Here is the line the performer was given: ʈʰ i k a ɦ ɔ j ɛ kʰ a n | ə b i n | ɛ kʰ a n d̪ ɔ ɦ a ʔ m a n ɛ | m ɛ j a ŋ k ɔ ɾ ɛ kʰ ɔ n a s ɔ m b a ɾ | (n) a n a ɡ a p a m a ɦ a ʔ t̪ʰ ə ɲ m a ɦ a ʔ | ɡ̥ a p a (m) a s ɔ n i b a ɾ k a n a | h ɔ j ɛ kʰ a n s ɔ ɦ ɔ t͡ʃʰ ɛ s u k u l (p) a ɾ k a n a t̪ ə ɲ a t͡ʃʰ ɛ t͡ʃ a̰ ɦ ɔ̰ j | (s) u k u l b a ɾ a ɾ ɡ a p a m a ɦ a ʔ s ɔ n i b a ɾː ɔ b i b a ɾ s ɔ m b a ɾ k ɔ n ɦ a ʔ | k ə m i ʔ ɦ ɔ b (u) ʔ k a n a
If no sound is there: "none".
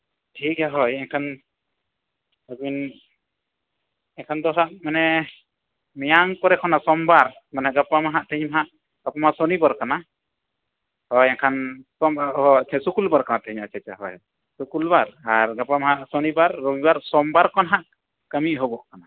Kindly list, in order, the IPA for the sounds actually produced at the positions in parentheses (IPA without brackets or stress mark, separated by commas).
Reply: m, m, b, s, ɔ